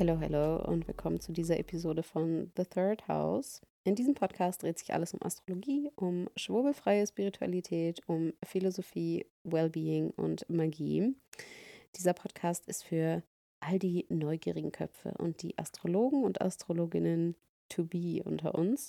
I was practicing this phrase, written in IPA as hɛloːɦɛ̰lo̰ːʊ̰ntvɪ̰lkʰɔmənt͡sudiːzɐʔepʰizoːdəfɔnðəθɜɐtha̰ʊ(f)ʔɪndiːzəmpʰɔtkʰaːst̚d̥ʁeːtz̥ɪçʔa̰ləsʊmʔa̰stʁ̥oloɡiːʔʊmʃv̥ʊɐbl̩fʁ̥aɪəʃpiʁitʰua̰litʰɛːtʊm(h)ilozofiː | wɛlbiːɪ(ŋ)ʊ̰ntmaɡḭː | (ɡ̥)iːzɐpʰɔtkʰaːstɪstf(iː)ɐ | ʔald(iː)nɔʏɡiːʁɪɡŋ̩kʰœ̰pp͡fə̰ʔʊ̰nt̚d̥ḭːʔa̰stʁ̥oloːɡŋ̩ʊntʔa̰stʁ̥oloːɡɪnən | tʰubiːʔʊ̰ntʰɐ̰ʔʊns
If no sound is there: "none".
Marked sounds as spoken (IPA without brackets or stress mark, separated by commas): s, f, ŋ, d̥, yː, iː